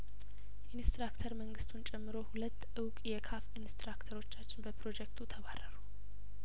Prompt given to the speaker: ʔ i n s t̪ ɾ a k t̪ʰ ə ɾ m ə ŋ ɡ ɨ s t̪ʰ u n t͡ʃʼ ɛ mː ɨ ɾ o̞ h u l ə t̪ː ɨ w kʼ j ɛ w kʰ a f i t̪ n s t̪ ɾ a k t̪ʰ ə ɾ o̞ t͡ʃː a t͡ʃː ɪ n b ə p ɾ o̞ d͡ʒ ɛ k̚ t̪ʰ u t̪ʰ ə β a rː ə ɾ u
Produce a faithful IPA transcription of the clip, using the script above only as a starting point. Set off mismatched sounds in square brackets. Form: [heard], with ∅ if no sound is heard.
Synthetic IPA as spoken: ʔ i n s t̪ ɾ a k t̪ʰ ə ɾ m ə ŋ ɡ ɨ s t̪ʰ u n t͡ʃʼ ɛ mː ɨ ɾ o̞ h u l ə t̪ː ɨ w kʼ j ɛ [∅] kʰ a f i [∅] n s t̪ ɾ a k t̪ʰ ə ɾ o̞ t͡ʃː a t͡ʃː ɪ n b ə p ɾ o̞ d͡ʒ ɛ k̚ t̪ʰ u t̪ʰ ə β a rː ə ɾ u